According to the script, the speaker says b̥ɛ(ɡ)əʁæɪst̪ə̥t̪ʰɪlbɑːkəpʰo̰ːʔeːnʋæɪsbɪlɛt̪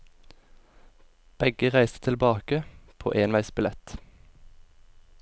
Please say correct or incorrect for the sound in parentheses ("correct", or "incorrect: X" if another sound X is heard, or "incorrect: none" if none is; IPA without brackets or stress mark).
correct